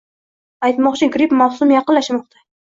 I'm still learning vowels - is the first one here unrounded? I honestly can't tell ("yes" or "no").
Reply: yes